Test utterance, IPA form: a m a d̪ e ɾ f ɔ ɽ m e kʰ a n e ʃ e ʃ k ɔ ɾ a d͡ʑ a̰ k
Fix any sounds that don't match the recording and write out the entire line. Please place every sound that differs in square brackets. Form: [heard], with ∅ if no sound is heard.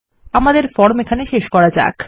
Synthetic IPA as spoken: a m a d̪ e ɾ f ɔ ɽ m e kʰ a n e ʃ e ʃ k ɔ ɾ a d͡ʑ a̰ k

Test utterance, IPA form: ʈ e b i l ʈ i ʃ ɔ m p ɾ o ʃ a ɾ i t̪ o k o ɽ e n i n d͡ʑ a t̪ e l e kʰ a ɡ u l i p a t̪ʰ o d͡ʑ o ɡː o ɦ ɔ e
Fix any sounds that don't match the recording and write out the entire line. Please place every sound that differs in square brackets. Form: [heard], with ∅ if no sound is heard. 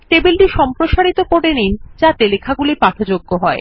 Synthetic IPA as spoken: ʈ e b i l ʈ i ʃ ɔ m p ɾ o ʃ a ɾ i t̪ o k o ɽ e n i n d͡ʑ a t̪ e l e kʰ a ɡ u l i p a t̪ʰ o d͡ʑ o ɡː o ɦ ɔ e

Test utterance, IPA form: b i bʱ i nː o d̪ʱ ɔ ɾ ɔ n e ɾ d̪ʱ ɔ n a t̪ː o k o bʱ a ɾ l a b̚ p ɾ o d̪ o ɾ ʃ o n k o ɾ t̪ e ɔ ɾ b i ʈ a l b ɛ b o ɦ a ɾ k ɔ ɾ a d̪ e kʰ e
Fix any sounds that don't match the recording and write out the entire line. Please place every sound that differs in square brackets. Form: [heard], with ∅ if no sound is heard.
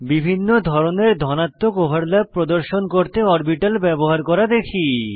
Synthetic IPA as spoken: b i bʱ i nː o d̪ʱ ɔ ɾ [o] n e ɾ d̪ʱ ɔ n a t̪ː o k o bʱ a ɾ l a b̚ p ɾ o d̪ o ɾ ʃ o n k o ɾ t̪ e ɔ ɾ b i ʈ a l b ɛ b o ɦ a ɾ k ɔ ɾ a d̪ e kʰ [i]

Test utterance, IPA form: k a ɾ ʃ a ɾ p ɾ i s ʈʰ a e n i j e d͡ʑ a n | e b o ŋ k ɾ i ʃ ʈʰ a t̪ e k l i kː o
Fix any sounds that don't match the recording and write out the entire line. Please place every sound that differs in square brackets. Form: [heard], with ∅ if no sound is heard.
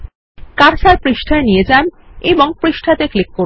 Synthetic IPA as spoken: k a ɾ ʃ a ɾ p ɾ i [ʃ] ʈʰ a e n i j e d͡ʑ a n | e b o ŋ [p] ɾ i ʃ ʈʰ a t̪ e k l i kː o

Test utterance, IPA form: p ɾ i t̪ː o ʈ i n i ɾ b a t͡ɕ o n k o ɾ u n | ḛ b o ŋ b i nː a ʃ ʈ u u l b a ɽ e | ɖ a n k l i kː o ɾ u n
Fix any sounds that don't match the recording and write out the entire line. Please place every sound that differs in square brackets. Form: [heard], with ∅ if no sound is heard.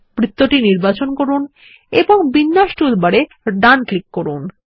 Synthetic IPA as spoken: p ɾ i t̪ː o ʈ i n i ɾ b a t͡ɕ o n k o ɾ u n | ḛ b o ŋ b i nː a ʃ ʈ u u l b a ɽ e | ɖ a n k l i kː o ɾ u n

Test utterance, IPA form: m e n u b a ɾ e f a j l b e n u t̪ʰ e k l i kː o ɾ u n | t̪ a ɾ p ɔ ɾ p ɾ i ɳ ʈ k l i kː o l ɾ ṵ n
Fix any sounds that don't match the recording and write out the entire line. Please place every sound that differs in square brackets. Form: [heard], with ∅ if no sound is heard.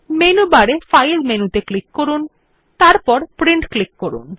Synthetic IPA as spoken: m e n u b a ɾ e f a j l [m] e n u [t̪] e k l i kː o ɾ u n | t̪ a ɾ p ɔ ɾ p ɾ i ɳ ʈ k l i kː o [∅] ɾ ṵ n

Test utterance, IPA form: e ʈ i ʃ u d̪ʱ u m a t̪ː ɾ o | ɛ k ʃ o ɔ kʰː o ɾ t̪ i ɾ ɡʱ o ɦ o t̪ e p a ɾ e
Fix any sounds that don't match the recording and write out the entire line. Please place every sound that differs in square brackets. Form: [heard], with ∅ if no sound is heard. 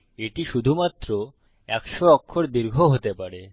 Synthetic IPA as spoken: e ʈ i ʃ u d̪ʱ u m a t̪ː ɾ o | ɛ k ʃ o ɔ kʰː o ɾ [d̪] i ɾ ɡʱ o ɦ o t̪ e p a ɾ e

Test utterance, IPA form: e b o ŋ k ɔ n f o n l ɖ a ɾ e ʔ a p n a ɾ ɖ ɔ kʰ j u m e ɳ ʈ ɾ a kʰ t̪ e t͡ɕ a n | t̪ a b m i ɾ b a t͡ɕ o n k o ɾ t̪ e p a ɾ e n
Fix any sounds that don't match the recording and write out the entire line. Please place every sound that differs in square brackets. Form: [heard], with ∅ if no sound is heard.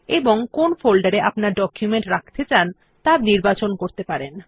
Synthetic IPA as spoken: e b o ŋ k [o] n f o [∅] l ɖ a ɾ e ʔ a p n a ɾ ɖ ɔ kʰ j u m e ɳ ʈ ɾ a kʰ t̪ e t͡ɕ a n | t̪ a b [n] i ɾ b a t͡ɕ o n k o ɾ t̪ e p a ɾ e n

